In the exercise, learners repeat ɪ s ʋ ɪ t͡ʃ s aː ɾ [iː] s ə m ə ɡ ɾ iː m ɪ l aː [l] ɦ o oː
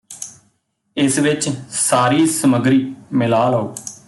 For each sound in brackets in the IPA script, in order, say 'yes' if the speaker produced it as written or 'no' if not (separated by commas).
yes, yes